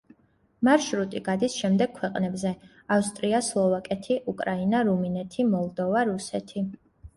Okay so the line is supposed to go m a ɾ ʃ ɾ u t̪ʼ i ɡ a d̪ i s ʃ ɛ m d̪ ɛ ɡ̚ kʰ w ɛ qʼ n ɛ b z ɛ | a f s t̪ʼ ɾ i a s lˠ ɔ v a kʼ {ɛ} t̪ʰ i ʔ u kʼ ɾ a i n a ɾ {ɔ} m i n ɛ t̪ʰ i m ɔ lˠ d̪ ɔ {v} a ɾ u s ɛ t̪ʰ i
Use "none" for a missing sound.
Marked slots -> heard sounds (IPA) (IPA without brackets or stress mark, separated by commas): ɛ, u, v